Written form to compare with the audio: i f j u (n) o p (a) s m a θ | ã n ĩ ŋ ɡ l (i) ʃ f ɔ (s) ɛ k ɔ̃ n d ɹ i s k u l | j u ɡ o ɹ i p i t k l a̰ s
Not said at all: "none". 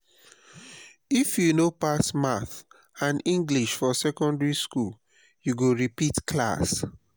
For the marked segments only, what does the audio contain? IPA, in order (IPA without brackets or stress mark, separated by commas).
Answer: n, a, i, s